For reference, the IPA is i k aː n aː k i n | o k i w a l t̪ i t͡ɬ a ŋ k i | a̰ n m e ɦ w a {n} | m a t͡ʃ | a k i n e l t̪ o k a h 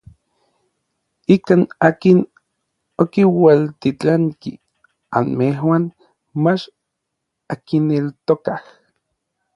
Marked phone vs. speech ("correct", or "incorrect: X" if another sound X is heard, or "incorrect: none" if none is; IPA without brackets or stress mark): correct